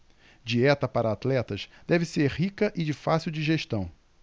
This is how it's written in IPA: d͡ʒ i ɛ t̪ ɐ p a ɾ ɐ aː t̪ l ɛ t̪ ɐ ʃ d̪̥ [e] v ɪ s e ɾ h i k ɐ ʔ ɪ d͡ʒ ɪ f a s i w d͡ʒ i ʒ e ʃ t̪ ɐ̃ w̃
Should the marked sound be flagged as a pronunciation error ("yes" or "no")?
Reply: yes